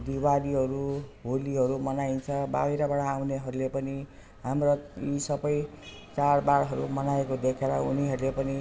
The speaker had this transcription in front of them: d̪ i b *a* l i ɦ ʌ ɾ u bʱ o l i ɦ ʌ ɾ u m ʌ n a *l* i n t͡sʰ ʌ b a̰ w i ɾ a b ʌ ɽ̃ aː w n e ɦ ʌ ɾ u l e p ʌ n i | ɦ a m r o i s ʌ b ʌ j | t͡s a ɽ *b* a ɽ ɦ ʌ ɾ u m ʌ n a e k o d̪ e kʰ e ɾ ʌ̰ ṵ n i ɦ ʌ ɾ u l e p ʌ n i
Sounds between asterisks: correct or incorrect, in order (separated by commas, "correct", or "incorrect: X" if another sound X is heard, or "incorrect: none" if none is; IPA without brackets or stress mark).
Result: correct, incorrect: none, correct